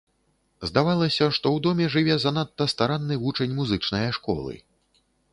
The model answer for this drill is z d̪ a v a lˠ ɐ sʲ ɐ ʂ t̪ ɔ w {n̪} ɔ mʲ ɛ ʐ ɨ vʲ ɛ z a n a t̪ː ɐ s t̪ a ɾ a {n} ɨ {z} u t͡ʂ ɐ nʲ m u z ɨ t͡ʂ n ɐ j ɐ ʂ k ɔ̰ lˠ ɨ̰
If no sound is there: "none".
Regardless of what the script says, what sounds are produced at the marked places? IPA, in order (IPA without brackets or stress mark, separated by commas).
d̪, nː, v